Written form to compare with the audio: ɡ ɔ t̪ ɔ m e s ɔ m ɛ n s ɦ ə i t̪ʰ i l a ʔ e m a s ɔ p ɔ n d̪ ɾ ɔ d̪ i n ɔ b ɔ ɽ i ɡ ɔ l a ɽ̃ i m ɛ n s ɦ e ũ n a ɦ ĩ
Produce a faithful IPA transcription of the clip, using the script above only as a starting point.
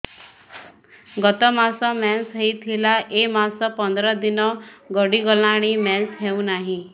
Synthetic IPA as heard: ɡ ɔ t̪ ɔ m a s ɔ m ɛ n s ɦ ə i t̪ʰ i l a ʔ e m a s ɔ p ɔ n d̪ ɾ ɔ d̪ i n ɔ ɡ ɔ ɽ i ɡ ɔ l a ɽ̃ i m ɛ n s ɦ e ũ n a ɦ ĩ